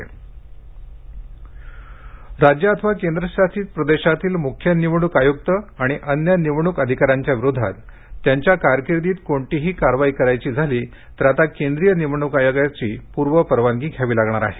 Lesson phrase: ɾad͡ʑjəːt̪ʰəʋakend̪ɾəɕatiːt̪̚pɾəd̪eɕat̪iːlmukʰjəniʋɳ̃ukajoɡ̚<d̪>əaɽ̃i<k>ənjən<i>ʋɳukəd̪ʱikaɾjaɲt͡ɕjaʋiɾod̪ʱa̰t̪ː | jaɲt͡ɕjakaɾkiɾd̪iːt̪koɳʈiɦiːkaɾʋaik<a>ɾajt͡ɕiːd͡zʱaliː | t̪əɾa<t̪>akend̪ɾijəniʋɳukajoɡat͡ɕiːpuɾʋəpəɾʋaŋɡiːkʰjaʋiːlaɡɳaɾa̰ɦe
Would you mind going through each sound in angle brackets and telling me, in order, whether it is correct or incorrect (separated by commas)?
incorrect, incorrect, correct, incorrect, correct